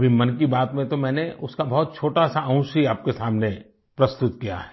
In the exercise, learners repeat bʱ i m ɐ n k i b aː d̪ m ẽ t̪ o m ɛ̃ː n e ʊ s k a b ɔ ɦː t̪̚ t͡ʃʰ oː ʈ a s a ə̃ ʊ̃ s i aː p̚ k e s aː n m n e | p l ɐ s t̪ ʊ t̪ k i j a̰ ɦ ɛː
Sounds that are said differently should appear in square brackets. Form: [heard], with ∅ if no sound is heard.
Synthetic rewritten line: bʱ i m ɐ n k i b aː [t̪] m ẽ t̪ o m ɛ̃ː n e ʊ s k a b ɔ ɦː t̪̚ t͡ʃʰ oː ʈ a s a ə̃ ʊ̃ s i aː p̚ k e s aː [∅] m n e | p [ɾ] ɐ s t̪ ʊ t̪ k i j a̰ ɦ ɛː

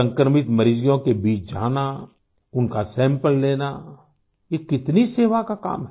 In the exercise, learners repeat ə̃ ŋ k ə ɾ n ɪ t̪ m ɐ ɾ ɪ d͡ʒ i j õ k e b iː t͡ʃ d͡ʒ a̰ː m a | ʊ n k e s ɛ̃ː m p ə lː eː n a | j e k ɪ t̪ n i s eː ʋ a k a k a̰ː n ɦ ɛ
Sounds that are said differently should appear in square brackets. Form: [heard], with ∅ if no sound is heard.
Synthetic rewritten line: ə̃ ŋ k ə ɾ [m] ɪ t̪ m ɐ ɾ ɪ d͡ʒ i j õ k e b iː t͡ʃ d͡ʒ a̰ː [n] a | ʊ n k [a] s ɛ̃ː m p ə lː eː n a | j e k ɪ t̪ n i s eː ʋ a k a k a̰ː [m] ɦ ɛ

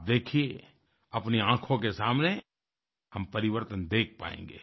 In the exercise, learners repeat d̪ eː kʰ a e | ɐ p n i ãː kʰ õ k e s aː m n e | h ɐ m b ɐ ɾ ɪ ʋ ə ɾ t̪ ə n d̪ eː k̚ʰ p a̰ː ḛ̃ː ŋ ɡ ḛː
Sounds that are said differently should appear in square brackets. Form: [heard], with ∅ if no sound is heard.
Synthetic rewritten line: d̪ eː kʰ [i] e | ɐ p n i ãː kʰ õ k e s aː m n e | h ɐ m [p] ɐ ɾ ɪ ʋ ə ɾ t̪ ə n d̪ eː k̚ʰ p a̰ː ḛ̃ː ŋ ɡ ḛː

